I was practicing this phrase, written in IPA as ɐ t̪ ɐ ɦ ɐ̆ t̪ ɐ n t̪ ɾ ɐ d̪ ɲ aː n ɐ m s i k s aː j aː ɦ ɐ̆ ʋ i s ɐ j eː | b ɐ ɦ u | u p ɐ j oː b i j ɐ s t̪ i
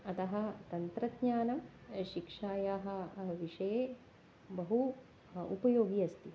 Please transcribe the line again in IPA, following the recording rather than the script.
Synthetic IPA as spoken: ɐ t̪ ɐ ɦ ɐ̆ t̪ ɐ n t̪ ɾ ɐ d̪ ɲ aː n ɐ m ʃ i k ʂ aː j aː ɦ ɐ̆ ʋ i ʂ ɐ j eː | b ɐ ɦ u | u p ɐ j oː ɡ i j ɐ s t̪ i